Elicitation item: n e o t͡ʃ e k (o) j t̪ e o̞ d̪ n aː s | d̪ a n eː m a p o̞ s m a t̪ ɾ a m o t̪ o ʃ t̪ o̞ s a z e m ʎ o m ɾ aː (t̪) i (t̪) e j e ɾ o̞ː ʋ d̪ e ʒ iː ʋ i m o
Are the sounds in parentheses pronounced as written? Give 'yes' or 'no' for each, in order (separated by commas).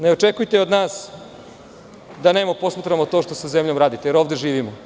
no, no, yes